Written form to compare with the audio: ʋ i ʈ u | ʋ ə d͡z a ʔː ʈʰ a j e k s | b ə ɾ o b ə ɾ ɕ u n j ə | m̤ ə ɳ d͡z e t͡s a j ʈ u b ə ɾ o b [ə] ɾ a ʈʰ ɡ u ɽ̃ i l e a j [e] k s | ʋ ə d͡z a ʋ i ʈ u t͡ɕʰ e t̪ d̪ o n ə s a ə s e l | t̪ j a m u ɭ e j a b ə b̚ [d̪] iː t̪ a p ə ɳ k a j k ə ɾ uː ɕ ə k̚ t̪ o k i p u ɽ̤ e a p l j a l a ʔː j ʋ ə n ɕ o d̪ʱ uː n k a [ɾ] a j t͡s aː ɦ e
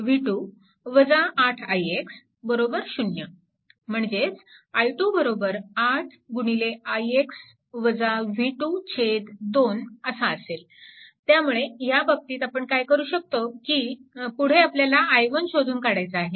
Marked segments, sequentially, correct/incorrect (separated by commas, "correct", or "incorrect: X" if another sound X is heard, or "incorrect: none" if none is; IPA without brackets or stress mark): correct, correct, incorrect: t̪, incorrect: ɽ